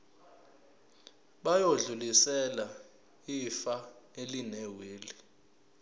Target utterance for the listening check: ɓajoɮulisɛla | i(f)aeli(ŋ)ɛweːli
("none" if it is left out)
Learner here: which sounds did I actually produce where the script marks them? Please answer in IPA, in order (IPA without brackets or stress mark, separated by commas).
f, n